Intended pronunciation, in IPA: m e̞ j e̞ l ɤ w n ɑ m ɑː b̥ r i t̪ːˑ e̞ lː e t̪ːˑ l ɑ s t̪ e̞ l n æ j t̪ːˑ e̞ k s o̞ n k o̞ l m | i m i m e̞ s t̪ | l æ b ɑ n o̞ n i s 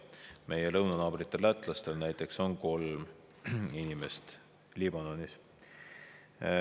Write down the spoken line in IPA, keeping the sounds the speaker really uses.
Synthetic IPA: m e̞ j e̞ l ɤ w n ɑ n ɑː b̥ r i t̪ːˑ e̞ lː æ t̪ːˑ l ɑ s t̪ e̞ l n æ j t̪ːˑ e̞ k s o̞ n k o̞ l m | i n i m e̞ s t̪ | l i b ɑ n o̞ n i s

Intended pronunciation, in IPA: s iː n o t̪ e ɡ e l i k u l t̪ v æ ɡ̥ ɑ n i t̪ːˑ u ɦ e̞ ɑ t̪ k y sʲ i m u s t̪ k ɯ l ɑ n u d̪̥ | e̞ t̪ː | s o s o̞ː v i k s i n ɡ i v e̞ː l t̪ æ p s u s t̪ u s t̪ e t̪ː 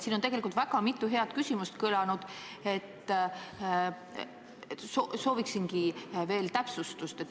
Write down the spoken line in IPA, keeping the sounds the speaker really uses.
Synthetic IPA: s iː n o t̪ e ɡ e l i k u l t̪ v æ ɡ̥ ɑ m i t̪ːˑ u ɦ e̞ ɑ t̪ k y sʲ i m u s t̪ k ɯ l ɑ n u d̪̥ | e̞ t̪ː | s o s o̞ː v i k s i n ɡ i v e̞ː l t̪ æ p s u s t̪ u s t̪ e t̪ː

